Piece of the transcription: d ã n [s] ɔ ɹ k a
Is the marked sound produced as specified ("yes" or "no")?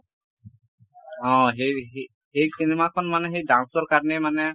yes